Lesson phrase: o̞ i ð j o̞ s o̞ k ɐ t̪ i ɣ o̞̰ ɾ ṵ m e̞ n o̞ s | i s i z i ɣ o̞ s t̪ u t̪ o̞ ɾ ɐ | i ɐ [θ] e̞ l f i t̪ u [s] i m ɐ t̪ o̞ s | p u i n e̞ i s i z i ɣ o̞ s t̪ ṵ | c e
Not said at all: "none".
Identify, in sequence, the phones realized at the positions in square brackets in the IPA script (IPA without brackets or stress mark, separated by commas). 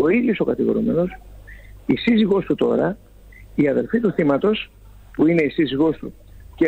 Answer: ð, θ